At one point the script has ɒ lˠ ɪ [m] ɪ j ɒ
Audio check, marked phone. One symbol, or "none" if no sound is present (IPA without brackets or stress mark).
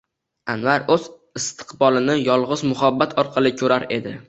n